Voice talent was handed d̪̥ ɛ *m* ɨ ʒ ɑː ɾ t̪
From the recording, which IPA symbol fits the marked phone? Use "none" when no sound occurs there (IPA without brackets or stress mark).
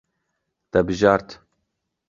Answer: b